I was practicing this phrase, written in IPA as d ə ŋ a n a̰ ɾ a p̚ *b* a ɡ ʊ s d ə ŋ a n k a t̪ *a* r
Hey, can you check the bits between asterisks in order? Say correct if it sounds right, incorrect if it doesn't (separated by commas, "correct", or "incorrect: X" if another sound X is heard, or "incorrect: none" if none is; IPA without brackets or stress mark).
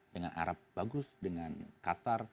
correct, correct